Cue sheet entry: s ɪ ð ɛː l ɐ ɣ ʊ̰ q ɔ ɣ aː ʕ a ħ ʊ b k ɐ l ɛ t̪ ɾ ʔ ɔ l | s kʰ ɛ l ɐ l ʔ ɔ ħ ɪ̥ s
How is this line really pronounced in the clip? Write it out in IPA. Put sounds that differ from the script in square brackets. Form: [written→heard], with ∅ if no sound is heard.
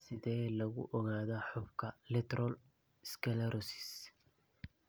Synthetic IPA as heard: s ɪ ð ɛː l ɐ ɣ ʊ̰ [q→ʔ] ɔ ɣ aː [ʕ→ð] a ħ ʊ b [k→kʰ] ɐ l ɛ t̪ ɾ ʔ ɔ l | s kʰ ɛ l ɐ [l→ɾ] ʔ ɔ [ħ→s] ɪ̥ s